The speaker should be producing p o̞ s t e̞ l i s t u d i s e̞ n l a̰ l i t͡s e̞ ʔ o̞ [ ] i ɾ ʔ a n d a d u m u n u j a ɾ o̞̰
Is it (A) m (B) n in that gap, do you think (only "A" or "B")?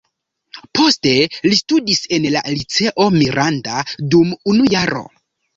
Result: A